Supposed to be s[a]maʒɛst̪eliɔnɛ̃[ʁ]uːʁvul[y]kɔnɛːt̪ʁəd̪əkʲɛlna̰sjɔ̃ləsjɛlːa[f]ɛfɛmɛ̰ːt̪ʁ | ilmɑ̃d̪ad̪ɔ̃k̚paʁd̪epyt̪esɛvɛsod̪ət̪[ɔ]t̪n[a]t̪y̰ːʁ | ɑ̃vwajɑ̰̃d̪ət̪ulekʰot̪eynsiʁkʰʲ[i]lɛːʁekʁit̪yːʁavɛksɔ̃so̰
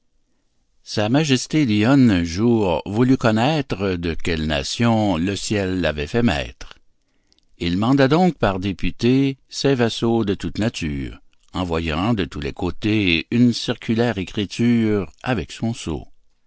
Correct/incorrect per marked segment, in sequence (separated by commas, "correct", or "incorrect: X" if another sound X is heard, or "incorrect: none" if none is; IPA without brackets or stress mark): correct, incorrect: ʒ, correct, incorrect: v, incorrect: u, correct, incorrect: y